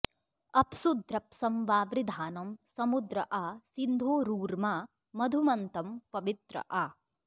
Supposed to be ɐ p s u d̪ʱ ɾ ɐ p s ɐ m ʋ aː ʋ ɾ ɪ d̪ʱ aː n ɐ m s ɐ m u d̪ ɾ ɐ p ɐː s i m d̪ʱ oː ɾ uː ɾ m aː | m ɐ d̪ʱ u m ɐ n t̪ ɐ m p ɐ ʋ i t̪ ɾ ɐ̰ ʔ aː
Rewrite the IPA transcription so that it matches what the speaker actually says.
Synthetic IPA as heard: ɐ p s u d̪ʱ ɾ ɐ p s ɐ m ʋ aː ʋ ɾ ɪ d̪ʱ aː n ɐ m s ɐ m u d̪ ɾ ɐ ʔ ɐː s i n d̪ʱ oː ɾ uː ɾ m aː | m ɐ d̪ʱ u m ɐ n t̪ ɐ m p ɐ ʋ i t̪ ɾ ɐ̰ ʔ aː